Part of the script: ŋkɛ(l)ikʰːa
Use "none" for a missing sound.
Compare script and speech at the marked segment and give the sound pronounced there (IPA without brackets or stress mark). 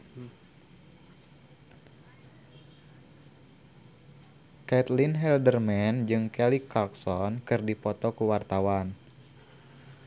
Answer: l